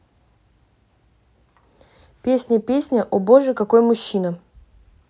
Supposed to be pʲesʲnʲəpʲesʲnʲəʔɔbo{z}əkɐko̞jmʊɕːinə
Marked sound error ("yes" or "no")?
yes